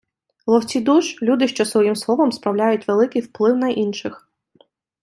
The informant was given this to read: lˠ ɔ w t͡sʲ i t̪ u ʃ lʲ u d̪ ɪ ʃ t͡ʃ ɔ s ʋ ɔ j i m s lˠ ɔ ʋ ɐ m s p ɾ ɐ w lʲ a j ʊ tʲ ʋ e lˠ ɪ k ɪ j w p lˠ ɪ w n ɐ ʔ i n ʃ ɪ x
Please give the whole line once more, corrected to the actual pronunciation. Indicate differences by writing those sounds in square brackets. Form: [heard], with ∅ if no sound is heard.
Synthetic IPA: lˠ ɔ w t͡sʲ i [d̪] u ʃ lʲ u d̪ ɪ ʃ t͡ʃ ɔ s ʋ ɔ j i m s lˠ ɔ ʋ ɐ m s p ɾ ɐ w lʲ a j ʊ tʲ ʋ e lˠ ɪ k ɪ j w p lˠ ɪ w n ɐ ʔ i n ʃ ɪ x